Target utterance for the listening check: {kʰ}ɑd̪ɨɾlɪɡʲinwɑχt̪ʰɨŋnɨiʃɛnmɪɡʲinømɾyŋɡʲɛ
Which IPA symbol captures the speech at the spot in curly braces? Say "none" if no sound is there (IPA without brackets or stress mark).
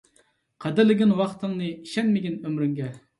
qʰ